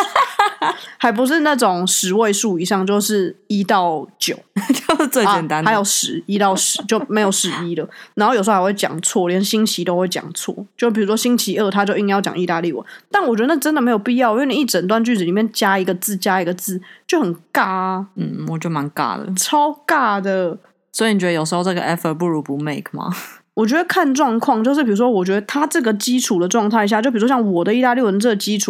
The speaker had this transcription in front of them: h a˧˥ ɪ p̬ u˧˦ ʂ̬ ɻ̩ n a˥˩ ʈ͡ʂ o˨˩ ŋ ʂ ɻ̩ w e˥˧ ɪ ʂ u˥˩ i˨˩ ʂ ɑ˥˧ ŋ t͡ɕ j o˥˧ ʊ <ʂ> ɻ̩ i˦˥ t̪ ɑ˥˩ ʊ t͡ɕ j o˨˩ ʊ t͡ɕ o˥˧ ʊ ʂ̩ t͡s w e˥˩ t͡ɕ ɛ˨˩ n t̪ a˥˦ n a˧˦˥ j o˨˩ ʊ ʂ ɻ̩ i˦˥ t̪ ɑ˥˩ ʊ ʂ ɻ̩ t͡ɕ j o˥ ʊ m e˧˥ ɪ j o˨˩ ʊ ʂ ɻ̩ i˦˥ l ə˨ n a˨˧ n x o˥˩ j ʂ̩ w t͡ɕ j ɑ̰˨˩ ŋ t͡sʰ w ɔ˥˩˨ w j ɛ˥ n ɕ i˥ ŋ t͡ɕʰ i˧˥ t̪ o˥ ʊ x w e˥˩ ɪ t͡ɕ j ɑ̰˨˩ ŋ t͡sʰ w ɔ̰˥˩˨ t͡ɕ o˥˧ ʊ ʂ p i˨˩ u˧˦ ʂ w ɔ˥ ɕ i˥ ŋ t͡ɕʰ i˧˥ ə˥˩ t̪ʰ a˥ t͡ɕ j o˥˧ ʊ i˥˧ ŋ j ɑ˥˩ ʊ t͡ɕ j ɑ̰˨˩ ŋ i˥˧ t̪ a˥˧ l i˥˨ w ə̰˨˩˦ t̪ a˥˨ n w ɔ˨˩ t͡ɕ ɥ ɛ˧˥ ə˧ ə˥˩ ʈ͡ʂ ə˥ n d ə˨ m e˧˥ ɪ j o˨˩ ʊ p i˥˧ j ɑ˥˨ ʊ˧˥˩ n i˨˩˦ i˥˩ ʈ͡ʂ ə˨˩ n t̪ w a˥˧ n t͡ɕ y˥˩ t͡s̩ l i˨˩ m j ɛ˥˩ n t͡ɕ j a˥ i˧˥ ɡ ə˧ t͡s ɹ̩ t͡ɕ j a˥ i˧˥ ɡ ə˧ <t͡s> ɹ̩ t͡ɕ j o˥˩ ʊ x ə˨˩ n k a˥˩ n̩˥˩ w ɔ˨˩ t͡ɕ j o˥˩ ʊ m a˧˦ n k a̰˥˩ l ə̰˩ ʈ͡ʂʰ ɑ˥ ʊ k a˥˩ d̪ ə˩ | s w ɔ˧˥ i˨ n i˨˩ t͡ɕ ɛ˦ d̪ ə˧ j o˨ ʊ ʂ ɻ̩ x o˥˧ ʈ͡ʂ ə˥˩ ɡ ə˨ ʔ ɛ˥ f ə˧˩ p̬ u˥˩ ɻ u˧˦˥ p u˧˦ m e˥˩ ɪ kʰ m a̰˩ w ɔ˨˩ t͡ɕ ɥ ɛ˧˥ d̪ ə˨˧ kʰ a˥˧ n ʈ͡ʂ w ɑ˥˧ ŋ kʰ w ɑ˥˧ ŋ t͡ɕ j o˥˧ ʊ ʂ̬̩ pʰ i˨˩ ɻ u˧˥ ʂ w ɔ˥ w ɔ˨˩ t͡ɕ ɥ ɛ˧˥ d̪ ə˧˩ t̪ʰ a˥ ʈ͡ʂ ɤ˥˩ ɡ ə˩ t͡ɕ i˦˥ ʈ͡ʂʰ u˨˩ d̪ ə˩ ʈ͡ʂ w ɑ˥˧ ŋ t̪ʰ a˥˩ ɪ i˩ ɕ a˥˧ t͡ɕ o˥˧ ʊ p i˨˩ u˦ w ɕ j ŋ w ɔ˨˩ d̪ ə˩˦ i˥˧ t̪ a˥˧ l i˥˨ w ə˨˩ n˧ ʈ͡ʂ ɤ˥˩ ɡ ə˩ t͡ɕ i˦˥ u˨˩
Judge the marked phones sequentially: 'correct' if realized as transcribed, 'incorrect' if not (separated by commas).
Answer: correct, correct